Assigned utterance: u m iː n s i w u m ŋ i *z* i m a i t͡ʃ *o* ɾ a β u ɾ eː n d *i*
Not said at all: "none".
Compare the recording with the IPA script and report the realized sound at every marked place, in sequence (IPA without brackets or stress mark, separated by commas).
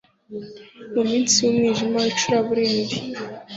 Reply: ʒ, u, i